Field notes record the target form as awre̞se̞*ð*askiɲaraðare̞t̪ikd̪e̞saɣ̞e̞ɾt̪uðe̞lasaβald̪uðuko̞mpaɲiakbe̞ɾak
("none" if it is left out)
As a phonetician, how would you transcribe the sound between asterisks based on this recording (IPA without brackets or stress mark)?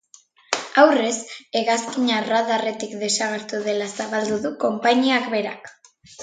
ɣ